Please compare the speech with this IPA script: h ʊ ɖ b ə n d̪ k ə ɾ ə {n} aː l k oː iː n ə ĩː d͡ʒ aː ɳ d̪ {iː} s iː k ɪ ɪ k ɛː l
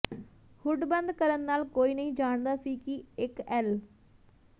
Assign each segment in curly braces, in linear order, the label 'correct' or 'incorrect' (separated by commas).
incorrect, incorrect